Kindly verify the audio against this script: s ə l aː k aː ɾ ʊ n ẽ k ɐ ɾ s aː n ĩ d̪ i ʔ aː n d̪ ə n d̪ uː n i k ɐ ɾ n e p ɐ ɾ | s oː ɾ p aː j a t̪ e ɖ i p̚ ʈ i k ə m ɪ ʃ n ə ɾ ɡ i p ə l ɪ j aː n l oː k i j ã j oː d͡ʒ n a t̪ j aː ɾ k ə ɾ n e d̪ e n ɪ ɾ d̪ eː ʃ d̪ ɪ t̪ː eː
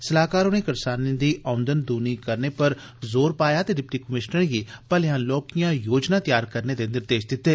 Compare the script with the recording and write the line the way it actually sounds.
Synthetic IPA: s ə l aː k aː ɾ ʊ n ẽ k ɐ ɾ s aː n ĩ d̪ i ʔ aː n d̪ ə n d̪ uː n i k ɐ ɾ n e p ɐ ɾ | z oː ɾ p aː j a t̪ e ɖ ɪ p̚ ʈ i k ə m ɪ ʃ n ə ɾ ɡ i p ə l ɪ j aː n l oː k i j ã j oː d͡ʒ n a t̪ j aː ɾ k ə ɾ n e d̪ e n ɪ ɾ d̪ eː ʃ d̪ ɪ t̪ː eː